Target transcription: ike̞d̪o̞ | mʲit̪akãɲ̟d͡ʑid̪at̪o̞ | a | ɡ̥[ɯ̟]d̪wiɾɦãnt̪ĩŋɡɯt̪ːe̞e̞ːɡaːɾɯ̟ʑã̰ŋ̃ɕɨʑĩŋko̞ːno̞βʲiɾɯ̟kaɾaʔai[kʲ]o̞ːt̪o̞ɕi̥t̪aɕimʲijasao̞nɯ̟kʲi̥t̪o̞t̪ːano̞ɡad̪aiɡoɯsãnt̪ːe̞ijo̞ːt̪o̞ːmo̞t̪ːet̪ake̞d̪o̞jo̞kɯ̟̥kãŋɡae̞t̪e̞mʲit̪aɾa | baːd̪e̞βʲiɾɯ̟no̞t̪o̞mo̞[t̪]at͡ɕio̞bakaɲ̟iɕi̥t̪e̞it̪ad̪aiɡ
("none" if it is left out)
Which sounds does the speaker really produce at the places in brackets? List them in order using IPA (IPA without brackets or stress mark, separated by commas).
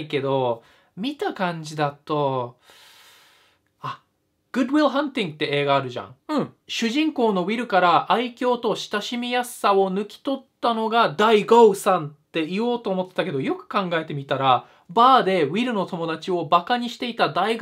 ɯ̟, kʲ, d̪